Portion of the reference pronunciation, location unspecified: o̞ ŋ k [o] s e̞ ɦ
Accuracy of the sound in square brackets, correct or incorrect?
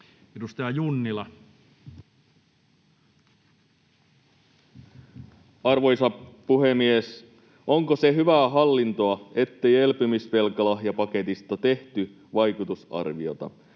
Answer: correct